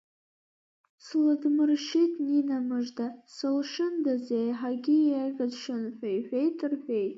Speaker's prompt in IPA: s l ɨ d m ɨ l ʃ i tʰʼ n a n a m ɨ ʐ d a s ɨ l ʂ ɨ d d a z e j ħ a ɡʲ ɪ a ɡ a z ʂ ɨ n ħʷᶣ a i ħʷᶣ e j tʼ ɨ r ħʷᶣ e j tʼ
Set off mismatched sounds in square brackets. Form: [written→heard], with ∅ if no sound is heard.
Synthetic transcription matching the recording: s l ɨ d m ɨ [l→r] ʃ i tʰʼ n [a→i] n a m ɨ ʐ d a s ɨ l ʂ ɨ [d→n] d a z e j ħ a ɡʲ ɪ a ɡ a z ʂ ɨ n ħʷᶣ a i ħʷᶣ e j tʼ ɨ r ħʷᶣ e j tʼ